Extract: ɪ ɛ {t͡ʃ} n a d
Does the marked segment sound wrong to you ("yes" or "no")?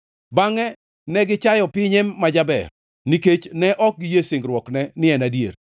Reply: yes